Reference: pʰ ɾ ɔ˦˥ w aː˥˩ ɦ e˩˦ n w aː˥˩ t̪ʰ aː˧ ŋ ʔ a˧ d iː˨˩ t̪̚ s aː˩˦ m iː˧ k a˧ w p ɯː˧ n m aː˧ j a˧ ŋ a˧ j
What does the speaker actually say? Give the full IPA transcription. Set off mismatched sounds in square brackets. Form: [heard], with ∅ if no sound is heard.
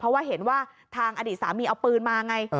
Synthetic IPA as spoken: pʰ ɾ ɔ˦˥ w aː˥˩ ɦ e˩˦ n w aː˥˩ t̪ʰ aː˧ ŋ ʔ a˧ d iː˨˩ t̪̚ s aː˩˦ m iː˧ [ʔ] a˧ w p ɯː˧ n m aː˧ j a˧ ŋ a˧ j

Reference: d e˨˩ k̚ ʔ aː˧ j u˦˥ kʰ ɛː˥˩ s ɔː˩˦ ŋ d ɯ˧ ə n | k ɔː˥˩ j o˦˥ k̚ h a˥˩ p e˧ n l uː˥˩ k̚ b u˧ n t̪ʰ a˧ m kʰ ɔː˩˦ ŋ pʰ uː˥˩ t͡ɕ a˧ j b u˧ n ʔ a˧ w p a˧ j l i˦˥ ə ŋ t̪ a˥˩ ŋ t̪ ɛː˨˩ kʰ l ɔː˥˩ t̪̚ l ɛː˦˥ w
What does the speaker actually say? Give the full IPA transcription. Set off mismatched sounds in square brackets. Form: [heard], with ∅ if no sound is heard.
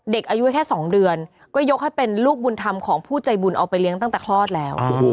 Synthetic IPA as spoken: d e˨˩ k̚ ʔ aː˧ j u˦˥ kʰ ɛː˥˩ s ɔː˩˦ ŋ d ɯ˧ ə n | k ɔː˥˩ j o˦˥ k̚ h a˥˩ p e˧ n l uː˥˩ k̚ b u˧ n t̪ʰ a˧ m kʰ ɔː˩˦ ŋ pʰ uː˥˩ t͡ɕ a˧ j b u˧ n ʔ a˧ w p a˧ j l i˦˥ ə ŋ t̪ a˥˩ ŋ t̪ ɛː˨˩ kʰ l ɔː˥˩ t̪̚ l ɛː˦˥ w

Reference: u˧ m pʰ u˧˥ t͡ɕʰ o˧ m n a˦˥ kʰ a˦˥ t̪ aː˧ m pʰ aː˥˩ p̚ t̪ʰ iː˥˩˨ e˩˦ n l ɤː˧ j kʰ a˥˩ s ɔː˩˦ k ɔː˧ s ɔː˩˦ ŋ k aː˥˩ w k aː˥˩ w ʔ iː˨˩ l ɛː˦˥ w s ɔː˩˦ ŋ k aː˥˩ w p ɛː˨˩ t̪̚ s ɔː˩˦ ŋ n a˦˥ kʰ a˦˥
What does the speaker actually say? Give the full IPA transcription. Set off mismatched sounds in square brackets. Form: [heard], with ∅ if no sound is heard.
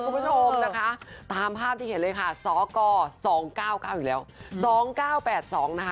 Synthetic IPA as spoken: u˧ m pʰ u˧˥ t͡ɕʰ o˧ m n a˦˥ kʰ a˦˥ t̪ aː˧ m pʰ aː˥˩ p̚ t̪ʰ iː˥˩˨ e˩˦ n l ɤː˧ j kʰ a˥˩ s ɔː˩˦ k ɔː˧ s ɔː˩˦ ŋ k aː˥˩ w k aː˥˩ w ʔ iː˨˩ l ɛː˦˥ w s ɔː˩˦ ŋ k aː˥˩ w p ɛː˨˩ t̪̚ s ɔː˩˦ ŋ n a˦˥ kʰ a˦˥

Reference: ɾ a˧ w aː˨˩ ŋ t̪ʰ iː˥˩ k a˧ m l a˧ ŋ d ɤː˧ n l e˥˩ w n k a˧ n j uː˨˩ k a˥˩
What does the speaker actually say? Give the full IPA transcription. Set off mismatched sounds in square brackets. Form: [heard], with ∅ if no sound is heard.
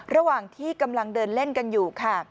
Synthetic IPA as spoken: ɾ a˧ w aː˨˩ ŋ t̪ʰ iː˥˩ k a˧ m l a˧ ŋ d ɤː˧ n l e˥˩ [∅] n k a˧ n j uː˨˩ [kʰ] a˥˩

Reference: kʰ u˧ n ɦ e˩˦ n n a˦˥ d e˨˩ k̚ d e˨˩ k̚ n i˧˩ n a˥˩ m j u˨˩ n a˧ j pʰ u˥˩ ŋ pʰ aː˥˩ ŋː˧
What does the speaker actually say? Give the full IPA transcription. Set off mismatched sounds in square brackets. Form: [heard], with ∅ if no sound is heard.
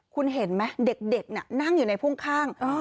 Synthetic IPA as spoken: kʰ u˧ n ɦ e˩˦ n [m] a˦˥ d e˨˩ k̚ d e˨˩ k̚ n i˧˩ n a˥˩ [ŋ] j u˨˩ n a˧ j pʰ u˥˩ ŋ [kʰ] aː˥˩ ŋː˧

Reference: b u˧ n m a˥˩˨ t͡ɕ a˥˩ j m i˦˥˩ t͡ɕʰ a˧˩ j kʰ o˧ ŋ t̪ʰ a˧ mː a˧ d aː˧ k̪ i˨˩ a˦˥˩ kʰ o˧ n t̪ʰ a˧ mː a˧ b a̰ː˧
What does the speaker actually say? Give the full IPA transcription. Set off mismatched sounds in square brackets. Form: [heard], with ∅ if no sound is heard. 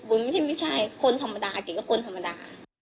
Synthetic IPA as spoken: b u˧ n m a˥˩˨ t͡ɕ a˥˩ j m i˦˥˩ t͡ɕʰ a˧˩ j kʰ o˧ [n] t̪ʰ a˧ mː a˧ d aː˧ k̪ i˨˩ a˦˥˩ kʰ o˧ n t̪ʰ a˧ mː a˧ [d] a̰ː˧

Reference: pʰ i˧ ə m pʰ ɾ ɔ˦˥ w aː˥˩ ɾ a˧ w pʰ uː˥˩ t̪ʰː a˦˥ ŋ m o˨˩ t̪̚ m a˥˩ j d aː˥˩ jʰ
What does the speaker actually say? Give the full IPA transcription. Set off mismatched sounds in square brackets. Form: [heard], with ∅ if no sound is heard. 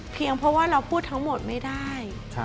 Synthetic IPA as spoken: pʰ i˧ ə [ŋ] pʰ ɾ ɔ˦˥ w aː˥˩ ɾ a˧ w pʰ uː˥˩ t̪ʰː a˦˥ ŋ m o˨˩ t̪̚ m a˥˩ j d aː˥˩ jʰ

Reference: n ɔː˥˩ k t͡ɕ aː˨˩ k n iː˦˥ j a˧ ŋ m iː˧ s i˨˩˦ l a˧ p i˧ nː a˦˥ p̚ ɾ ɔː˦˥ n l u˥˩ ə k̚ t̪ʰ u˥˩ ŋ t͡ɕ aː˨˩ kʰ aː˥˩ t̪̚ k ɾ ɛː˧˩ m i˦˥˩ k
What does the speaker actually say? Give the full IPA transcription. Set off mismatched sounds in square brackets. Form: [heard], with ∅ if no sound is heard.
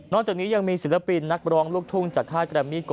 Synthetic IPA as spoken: n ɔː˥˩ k t͡ɕ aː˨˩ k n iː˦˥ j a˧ ŋ m iː˧ s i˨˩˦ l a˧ p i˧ nː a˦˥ [k̚] ɾ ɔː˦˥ [ŋ] l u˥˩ ə k̚ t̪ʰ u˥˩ ŋ t͡ɕ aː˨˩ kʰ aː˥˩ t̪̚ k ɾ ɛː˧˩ m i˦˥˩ k

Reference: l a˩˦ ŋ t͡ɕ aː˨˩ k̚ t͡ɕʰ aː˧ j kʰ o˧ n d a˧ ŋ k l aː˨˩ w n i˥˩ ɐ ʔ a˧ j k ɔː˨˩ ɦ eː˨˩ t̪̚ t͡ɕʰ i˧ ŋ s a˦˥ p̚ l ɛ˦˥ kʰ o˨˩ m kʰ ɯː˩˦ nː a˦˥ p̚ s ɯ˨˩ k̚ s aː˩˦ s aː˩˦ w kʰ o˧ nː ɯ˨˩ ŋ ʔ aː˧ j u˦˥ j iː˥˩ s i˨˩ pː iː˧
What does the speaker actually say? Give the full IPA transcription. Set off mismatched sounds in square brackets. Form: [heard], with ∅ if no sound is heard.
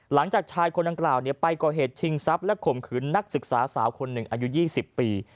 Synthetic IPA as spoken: l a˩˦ ŋ t͡ɕ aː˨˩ k̚ t͡ɕʰ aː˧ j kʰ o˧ n d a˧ ŋ k l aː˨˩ w n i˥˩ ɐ [p] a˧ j k ɔː˨˩ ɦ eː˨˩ t̪̚ t͡ɕʰ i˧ ŋ s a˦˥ p̚ l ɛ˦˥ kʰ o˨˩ m kʰ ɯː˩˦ nː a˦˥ [k̚] s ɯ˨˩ k̚ s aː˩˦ s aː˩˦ w kʰ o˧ nː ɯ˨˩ ŋ ʔ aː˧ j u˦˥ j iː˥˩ s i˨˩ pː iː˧

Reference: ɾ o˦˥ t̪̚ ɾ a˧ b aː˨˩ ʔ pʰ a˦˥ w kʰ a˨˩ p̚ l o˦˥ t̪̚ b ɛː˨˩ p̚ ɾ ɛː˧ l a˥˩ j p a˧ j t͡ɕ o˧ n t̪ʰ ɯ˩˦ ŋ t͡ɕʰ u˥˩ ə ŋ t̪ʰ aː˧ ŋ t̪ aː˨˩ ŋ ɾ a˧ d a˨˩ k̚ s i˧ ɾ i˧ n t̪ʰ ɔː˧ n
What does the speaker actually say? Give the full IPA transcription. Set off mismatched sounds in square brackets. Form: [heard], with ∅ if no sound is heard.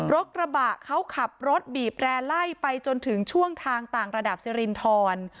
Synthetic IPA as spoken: ɾ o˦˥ t̪̚ ɾ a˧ b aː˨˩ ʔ [kʰ] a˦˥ w kʰ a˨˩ p̚ [ɾ] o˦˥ t̪̚ b [iː˨˩] p̚ ɾ ɛː˧ l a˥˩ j p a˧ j t͡ɕ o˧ n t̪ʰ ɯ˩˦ ŋ t͡ɕʰ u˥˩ ə ŋ t̪ʰ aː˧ ŋ t̪ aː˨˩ ŋ ɾ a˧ d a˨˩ [p̚] s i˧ ɾ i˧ n t̪ʰ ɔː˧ n

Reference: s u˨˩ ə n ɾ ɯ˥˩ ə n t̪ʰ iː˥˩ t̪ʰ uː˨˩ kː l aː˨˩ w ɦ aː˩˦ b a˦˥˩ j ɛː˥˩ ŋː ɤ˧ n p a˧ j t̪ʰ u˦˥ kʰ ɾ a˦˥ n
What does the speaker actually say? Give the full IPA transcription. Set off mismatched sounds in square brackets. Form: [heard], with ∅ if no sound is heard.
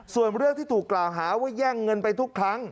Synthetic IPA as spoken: s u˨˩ ə n ɾ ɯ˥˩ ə [ŋ] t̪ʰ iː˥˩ t̪ʰ uː˨˩ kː l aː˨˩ w ɦ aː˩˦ [w] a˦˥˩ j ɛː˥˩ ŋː ɤ˧ n p a˧ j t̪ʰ u˦˥ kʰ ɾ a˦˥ [ŋ]

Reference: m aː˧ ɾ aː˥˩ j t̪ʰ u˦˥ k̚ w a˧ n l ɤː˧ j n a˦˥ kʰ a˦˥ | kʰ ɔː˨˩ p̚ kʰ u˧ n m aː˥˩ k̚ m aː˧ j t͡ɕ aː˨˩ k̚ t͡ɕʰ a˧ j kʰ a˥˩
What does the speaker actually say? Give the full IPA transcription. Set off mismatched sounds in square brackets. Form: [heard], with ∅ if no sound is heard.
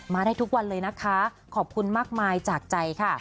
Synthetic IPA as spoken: m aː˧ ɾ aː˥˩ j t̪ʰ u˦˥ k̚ w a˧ n l ɤː˧ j n a˦˥ kʰ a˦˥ | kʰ ɔː˨˩ p̚ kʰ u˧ n m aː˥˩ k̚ m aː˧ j t͡ɕ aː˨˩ k̚ [t͡ɕ] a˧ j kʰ a˥˩

